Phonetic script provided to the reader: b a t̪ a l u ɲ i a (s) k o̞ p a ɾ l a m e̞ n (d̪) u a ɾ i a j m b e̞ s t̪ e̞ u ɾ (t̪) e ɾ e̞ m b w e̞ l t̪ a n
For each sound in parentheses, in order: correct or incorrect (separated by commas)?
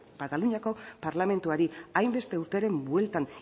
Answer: incorrect, incorrect, correct